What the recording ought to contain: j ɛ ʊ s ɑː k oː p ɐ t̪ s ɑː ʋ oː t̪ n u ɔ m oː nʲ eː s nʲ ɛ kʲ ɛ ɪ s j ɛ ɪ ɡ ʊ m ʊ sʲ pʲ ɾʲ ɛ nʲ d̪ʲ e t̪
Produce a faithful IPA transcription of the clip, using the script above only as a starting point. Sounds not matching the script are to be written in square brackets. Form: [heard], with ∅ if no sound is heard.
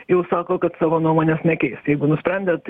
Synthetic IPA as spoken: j ɛ ʊ s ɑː k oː [k] ɐ t̪ s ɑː ʋ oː [∅] n u ɔ m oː nʲ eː s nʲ ɛ kʲ ɛ ɪ s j ɛ ɪ ɡ ʊ [n] ʊ sʲ pʲ ɾʲ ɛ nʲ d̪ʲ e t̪